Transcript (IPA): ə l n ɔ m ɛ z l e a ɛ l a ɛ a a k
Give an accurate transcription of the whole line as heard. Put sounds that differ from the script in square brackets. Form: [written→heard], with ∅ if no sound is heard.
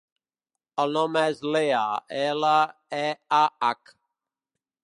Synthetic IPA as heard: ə l n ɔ m ɛ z l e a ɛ l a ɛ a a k